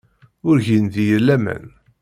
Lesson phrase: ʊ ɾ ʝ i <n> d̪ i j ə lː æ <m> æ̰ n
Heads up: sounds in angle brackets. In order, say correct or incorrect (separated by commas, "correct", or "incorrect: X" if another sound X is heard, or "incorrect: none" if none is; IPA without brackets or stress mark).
correct, correct